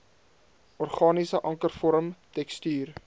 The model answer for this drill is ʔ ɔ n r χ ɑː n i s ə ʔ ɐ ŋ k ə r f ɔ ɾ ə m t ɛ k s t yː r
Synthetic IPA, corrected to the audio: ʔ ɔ r χ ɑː n i s ə ʔ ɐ ŋ k ə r f ɔ ɾ ə m t ɛ k s t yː r